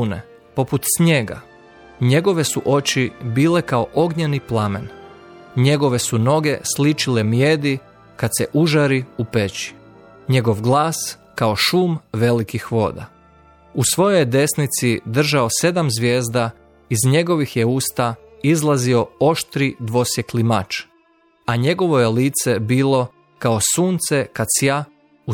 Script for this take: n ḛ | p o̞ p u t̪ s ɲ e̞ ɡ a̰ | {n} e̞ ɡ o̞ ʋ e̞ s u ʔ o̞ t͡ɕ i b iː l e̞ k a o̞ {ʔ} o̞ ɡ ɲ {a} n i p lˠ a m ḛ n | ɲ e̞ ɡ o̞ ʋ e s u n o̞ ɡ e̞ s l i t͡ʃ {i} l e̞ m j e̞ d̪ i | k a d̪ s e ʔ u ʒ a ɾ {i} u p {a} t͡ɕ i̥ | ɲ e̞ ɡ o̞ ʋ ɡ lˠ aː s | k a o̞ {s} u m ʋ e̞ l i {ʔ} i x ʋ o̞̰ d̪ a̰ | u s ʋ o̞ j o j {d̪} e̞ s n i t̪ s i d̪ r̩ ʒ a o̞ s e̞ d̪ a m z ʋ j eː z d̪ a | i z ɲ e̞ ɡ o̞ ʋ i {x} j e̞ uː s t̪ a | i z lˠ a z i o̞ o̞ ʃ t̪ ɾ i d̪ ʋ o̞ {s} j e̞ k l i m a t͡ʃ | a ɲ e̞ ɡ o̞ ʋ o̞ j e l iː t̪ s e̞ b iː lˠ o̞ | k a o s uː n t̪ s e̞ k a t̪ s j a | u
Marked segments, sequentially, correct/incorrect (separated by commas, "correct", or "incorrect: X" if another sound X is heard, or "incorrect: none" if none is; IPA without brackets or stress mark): incorrect: ɲ, correct, incorrect: e, correct, correct, incorrect: e, incorrect: ʃ, incorrect: k, correct, correct, correct